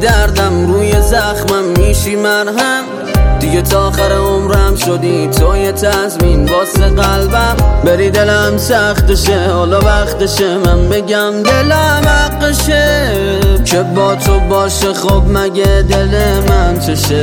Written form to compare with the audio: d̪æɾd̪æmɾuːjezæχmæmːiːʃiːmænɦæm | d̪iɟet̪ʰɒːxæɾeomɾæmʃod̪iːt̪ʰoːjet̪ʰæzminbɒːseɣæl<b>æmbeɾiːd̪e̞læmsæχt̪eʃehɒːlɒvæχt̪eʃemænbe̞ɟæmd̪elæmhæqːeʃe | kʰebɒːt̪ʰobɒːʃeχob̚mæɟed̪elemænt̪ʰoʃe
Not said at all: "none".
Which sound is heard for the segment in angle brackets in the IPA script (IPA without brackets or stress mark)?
b